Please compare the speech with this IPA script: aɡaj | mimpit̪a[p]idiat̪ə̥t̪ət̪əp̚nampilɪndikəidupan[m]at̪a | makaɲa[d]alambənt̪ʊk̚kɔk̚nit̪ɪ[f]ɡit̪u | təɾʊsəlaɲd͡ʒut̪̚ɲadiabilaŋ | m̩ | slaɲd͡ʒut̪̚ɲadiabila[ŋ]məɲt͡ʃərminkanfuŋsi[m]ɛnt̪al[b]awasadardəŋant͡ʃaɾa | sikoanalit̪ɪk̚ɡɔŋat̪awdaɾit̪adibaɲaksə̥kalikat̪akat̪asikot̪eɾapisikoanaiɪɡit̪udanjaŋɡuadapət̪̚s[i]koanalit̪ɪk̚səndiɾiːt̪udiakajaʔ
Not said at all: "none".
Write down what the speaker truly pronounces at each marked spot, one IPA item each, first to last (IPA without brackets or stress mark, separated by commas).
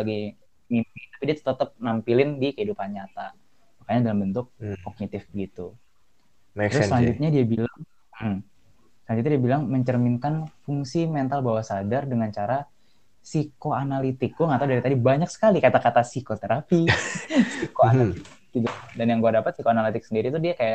p, ɲ, d, f, ŋ, m, b, i